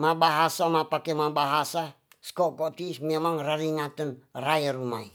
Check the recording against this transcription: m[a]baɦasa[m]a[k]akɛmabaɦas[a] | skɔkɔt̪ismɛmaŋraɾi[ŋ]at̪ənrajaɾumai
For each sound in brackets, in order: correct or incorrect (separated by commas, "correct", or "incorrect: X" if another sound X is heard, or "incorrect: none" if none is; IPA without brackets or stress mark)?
correct, correct, incorrect: p, correct, correct